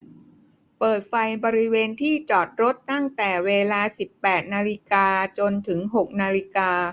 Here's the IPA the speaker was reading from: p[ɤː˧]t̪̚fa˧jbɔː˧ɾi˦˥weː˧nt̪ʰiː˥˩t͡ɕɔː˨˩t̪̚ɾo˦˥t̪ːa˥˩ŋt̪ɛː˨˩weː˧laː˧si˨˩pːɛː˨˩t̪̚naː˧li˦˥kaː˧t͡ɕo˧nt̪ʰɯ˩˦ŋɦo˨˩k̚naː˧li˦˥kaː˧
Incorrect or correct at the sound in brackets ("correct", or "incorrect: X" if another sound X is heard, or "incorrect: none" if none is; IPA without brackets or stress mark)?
incorrect: ɤː˨˩